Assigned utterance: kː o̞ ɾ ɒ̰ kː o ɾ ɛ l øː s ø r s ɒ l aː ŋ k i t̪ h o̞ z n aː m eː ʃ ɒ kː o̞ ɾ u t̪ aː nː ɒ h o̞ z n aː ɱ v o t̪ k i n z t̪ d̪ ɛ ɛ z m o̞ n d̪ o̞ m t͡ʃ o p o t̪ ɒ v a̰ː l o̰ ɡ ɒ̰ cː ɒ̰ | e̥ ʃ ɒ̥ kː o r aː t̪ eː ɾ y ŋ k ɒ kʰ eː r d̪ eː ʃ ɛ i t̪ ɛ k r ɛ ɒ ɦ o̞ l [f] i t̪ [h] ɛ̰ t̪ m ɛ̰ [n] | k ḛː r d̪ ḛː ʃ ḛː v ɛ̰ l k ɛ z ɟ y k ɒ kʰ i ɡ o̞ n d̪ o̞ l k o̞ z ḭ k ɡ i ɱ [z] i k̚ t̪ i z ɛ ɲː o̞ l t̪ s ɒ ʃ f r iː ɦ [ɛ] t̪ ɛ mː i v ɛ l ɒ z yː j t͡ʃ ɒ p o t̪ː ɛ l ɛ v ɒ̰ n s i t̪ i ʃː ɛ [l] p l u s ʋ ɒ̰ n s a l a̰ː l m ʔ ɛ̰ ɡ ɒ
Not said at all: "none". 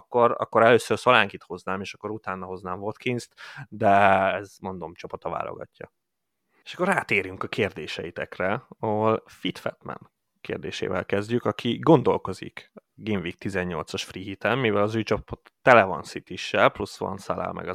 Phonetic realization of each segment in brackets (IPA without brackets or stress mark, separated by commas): f, f, n, v, i, l